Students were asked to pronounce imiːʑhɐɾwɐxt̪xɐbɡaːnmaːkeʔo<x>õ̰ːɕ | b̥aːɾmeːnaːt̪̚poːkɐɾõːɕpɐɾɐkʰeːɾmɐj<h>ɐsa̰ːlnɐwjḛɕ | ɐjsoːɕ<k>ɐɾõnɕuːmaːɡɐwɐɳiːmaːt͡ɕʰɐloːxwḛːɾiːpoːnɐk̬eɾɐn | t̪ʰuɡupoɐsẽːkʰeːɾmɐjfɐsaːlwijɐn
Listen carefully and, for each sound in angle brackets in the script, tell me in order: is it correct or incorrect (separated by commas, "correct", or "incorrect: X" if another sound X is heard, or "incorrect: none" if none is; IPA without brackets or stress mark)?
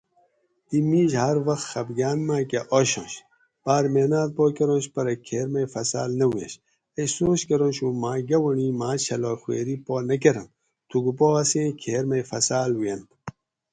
incorrect: ɕ, incorrect: f, correct